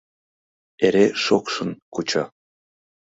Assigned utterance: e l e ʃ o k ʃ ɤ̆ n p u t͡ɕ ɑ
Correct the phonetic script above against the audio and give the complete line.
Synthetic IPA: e ɾ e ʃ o k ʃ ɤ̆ n k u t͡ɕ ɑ